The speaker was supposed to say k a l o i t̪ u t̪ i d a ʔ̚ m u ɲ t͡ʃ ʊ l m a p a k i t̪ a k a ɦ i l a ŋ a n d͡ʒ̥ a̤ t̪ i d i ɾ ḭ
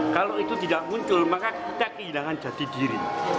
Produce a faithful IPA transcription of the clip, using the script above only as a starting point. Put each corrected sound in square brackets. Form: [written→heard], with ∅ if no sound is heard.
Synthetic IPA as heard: k a l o i t̪ u t̪ i d a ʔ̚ m u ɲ t͡ʃ ʊ l m a [p→k] a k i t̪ a k [a→ə] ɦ i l a ŋ a n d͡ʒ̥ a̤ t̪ i d i ɾ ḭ